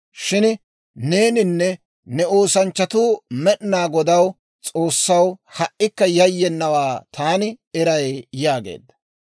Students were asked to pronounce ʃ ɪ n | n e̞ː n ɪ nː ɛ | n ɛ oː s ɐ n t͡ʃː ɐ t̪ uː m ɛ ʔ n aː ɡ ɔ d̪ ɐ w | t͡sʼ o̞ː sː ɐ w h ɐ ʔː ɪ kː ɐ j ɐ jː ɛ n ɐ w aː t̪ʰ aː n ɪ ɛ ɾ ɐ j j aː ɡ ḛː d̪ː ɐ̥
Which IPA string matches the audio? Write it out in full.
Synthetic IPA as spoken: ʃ ɪ n | n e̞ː n ɪ nː ɛ | n ɛ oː s ɐ n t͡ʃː ɐ t̪ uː m ɛ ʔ n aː ɡ ɔ d̪ ɐ w | t͡sʼ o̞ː sː ɐ w h ɐ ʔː ɪ kː ɐ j ɐ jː ɛ nː ɐ w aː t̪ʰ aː n ɪ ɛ ɾ ɐ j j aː ɡ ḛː d̪ː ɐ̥